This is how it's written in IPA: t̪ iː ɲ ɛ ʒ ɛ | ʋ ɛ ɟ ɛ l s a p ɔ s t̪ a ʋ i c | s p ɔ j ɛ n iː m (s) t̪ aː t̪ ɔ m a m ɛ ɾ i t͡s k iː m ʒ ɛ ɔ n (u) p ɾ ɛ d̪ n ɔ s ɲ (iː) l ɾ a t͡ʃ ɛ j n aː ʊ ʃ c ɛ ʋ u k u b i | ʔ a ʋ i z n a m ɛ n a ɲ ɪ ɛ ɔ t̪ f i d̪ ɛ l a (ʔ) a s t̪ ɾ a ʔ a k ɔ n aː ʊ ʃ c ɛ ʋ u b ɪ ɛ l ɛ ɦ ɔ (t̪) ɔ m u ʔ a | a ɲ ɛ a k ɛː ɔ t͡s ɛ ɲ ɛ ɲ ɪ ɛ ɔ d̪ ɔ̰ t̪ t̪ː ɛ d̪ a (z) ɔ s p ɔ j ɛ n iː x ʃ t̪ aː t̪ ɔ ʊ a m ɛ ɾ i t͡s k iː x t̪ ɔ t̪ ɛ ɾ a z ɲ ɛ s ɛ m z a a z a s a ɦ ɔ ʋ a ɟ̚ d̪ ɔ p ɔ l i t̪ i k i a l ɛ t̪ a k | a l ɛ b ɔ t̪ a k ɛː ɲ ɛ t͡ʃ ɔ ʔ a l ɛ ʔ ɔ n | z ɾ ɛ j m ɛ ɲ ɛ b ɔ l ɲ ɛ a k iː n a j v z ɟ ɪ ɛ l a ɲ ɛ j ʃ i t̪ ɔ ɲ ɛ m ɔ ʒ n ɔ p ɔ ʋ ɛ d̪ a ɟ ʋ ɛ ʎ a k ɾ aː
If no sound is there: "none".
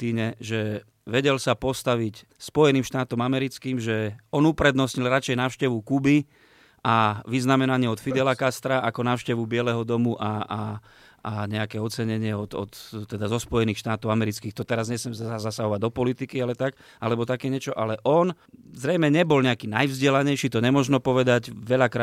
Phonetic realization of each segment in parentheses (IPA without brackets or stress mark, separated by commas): ʃ, u, i, k, d̪, z